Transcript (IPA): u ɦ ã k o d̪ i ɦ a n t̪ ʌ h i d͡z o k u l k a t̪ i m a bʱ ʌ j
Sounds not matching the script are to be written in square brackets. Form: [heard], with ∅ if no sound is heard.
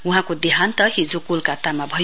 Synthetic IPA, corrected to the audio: u ɦ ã k o d̪ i ɦ a n t̪ ʌ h i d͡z o k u l k a t̪ [a] m a bʱ ʌ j